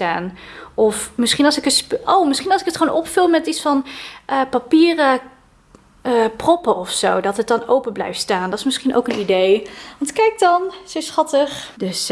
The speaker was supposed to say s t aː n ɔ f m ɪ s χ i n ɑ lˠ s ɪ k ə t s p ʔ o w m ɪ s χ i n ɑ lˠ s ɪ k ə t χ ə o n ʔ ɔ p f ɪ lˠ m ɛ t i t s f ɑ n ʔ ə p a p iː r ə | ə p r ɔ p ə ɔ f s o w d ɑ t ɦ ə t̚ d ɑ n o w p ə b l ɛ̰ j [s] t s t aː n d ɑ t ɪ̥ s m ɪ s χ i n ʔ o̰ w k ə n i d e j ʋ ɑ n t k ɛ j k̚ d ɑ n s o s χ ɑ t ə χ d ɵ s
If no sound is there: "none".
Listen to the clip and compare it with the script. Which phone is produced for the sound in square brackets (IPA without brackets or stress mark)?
f